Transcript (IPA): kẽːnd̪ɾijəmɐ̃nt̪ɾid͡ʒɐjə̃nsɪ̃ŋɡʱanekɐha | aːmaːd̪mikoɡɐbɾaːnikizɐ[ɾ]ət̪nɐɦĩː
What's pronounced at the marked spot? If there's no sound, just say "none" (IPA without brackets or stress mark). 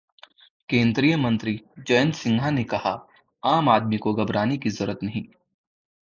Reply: ɾ